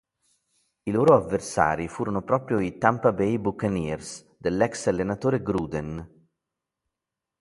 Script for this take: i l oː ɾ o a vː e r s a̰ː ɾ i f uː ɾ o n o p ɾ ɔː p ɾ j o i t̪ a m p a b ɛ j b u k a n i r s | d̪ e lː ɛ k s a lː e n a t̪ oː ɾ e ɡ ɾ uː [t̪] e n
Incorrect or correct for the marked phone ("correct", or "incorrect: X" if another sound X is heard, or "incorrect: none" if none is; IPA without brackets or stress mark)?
incorrect: d̪